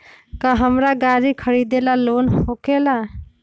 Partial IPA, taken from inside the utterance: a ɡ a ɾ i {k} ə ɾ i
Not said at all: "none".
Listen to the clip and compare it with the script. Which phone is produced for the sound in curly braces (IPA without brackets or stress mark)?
kʰ